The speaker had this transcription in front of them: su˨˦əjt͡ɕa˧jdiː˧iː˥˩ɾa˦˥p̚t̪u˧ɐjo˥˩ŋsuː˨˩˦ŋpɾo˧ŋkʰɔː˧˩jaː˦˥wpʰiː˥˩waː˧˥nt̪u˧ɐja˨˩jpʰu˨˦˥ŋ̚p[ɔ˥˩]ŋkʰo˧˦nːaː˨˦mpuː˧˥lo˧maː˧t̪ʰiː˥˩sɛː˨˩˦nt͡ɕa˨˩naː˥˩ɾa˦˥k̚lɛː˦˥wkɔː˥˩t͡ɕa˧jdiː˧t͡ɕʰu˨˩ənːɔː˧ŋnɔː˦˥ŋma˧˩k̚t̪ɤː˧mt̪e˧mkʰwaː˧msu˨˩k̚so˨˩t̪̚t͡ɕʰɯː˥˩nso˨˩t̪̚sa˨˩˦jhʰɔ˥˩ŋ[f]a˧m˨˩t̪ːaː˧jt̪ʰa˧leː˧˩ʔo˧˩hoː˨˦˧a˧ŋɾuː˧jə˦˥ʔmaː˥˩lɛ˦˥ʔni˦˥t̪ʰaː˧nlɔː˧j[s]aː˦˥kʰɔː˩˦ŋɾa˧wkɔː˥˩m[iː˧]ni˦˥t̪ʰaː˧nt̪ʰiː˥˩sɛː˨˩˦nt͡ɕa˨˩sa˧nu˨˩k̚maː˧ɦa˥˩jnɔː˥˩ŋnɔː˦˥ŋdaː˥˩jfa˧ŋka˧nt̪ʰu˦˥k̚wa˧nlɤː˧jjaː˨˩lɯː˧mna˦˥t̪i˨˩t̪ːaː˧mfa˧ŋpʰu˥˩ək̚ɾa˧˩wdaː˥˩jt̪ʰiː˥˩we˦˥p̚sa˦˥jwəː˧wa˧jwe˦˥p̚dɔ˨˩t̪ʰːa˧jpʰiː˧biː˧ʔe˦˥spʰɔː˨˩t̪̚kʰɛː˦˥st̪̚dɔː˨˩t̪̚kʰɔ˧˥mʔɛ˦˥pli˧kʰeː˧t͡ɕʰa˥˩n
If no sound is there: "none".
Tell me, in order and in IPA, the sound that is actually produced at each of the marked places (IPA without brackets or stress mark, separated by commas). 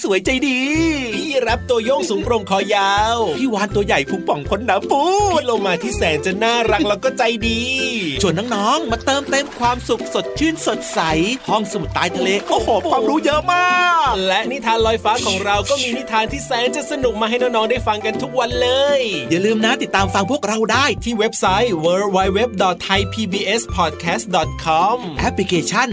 ɔ˨˩˦, s, f, iː˧